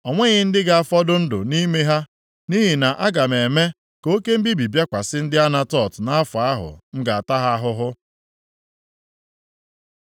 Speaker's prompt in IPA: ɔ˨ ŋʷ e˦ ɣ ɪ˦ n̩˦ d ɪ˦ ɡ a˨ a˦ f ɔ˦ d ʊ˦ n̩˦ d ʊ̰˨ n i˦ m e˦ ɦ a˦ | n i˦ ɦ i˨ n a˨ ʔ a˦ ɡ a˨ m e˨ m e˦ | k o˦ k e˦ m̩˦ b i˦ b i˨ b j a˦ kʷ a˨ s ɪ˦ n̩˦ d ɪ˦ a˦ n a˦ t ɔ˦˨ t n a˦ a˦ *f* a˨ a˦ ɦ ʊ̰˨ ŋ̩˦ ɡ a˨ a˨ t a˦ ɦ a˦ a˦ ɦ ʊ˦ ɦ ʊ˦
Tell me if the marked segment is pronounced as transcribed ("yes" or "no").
yes